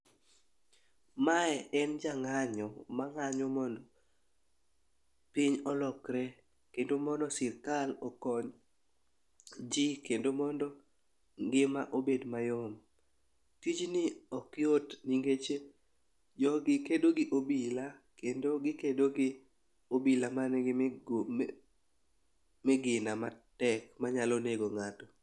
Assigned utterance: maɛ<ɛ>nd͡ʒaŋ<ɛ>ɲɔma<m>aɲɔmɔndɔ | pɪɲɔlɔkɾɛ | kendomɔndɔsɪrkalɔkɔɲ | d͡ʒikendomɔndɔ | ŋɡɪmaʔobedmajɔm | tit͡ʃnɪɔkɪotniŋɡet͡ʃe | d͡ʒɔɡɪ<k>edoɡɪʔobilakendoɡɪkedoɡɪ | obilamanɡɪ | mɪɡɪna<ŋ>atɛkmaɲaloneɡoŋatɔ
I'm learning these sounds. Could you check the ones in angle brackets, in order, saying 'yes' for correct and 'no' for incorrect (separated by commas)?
yes, no, no, yes, no